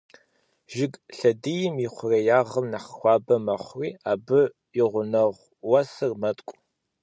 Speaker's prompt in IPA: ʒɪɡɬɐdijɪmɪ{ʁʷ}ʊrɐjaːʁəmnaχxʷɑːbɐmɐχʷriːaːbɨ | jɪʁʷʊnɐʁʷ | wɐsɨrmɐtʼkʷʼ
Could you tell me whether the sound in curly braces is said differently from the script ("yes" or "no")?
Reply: yes